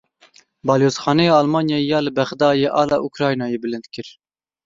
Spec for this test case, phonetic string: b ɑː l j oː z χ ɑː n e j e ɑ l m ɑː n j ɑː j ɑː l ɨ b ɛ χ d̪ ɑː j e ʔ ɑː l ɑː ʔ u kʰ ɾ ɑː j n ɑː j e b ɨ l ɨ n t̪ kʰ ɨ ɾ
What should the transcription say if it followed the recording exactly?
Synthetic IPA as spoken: b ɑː l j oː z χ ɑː n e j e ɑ l m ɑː n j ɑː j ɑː l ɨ b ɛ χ d̪ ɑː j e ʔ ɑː l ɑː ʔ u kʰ ɾ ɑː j n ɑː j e b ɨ l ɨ n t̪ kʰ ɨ ɾ